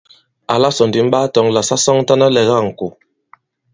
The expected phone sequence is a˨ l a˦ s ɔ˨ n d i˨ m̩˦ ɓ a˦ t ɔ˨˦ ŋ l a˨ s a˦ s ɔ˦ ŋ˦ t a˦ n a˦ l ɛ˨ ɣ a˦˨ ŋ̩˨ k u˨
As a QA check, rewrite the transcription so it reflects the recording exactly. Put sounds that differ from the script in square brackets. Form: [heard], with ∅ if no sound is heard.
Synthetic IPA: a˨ l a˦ s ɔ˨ n d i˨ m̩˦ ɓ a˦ t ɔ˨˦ ŋ l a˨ s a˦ s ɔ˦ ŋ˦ t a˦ n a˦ l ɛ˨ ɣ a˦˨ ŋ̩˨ k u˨